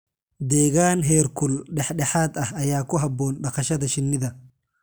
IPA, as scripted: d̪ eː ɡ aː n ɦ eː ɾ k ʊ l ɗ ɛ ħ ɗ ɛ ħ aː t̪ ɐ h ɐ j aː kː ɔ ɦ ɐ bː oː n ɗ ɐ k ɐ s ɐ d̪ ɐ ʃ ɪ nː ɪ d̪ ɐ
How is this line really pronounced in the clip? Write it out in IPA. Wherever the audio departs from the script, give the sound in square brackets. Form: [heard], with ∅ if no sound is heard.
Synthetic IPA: d̪ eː ɡ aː n ɦ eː ɾ k ʊ l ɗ ɛ ħ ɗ ɛ ħ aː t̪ ɐ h ɐ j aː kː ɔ ɦ ɐ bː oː n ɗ ɐ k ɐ [ʃ] ɐ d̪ ɐ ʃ ɪ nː ɪ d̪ ɐ